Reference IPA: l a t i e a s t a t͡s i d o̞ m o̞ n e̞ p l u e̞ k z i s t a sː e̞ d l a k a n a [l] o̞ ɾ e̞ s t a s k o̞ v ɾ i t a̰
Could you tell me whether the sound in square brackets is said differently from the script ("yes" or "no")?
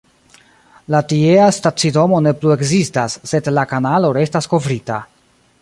no